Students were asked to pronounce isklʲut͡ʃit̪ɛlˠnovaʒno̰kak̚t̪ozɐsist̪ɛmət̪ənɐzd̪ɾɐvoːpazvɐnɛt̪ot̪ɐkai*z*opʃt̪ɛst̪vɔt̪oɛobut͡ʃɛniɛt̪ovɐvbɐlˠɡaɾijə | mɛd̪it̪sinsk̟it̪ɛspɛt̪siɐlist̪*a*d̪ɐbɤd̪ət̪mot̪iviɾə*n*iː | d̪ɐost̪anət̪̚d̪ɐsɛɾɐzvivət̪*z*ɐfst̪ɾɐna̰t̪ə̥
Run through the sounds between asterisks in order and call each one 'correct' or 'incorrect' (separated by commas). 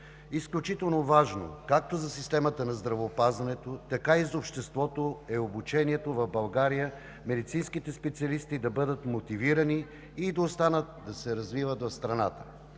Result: correct, incorrect, correct, incorrect